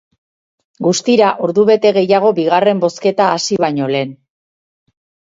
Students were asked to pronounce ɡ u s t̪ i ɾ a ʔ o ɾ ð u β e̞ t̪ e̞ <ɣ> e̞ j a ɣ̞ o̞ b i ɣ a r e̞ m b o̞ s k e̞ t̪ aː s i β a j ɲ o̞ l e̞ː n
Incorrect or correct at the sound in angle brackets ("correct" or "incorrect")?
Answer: correct